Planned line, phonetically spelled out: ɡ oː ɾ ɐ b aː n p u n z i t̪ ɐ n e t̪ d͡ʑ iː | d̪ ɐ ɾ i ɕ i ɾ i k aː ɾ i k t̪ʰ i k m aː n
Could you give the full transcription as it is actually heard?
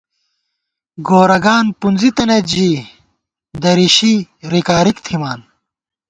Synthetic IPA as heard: ɡ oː ɾ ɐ ɡ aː n p u n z i t̪ ɐ n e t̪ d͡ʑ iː | d̪ ɐ ɾ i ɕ i ɾ i k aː ɾ i k t̪ʰ i m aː n